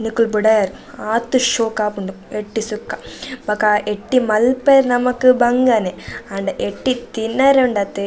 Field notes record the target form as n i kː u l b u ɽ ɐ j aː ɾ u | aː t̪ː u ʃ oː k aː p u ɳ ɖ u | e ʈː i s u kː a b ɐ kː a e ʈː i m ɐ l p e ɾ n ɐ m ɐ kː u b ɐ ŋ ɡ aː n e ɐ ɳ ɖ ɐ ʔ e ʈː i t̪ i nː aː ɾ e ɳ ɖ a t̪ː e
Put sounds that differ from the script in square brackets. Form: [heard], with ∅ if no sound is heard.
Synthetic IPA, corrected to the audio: n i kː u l b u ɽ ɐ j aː ɾ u | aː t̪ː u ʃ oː k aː p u ɳ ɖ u | e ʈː i s u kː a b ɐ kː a e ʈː i m ɐ l p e ɾ n ɐ m ɐ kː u b ɐ ŋ ɡ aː n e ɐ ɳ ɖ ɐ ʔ e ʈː i t̪ i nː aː ɾ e ɳ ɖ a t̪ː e